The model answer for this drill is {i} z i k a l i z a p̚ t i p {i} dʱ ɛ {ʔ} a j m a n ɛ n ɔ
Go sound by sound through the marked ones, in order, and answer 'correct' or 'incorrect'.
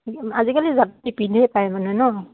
incorrect: a, correct, incorrect: p

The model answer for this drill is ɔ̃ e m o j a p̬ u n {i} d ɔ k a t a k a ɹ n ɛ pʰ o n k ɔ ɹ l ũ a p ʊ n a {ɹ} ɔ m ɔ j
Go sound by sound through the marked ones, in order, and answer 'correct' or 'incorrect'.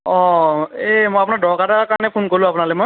incorrect: a, incorrect: l

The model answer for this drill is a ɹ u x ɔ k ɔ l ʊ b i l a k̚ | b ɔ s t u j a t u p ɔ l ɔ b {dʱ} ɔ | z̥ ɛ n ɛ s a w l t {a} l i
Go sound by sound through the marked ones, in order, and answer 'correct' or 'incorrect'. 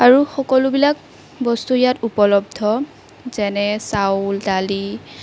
correct, correct

